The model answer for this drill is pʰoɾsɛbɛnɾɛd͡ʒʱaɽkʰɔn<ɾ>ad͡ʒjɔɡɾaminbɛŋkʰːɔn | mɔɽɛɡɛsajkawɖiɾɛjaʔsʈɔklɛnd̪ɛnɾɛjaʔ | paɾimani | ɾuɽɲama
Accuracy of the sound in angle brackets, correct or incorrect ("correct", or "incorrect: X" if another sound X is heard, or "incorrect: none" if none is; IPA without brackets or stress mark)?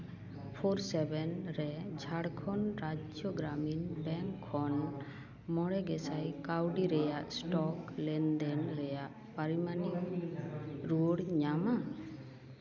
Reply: correct